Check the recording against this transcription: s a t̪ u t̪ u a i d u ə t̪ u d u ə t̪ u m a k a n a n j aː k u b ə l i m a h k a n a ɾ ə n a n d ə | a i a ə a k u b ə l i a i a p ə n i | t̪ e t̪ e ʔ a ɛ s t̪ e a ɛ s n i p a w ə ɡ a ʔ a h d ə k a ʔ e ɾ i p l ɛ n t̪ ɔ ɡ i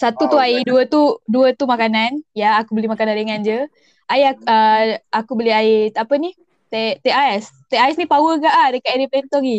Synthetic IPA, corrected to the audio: s a t̪ u t̪ u a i d u ə t̪ u d u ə t̪ u m a k a n a n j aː k u b ə l i m a k a n a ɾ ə ŋ a n d͡ʒ ə | a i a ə a k u b ə l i a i a p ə n i | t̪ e t̪ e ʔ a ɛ s t̪ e a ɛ s n i p a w ə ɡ a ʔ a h d ə k a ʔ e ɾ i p l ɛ n t̪ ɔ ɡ i